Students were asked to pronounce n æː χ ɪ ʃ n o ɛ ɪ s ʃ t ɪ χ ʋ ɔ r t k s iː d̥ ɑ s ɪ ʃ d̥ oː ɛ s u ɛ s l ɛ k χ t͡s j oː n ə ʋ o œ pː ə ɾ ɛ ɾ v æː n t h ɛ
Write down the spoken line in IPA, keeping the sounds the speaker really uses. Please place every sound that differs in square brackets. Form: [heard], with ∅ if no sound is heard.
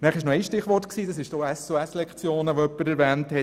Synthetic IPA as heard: n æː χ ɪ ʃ n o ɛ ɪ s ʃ t ɪ χ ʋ ɔ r t k s iː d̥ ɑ s ɪ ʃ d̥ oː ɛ s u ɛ s l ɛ k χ t͡s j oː n ə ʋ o œ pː ə ɾ ɛ ɾ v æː n t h ɛ